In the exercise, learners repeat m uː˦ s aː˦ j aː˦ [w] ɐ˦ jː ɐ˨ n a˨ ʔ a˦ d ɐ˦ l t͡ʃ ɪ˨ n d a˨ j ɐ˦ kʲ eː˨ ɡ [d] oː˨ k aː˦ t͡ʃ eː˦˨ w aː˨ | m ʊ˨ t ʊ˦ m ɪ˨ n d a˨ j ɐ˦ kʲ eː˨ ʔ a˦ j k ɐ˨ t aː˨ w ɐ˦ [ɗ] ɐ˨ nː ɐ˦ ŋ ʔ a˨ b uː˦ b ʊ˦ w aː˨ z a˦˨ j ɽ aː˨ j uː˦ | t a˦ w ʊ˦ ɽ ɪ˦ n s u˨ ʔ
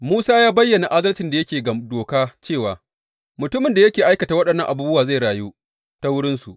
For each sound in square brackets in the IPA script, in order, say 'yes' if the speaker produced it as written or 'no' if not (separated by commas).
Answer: no, yes, yes